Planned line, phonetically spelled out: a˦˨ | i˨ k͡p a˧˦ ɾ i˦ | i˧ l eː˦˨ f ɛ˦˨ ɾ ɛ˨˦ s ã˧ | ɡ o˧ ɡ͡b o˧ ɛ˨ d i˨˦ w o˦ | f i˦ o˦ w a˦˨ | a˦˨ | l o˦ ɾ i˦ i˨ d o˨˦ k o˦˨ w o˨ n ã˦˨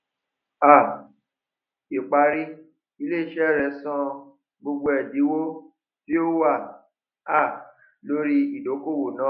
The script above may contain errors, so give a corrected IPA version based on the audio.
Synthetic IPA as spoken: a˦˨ | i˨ k͡p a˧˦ ɾ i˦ | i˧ l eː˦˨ ʃ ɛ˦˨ ɾ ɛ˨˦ s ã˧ | ɡ͡b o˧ ɡ͡b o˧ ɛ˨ d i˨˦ w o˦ | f i˦ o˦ w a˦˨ | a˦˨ | l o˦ ɾ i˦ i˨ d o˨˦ k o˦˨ w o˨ n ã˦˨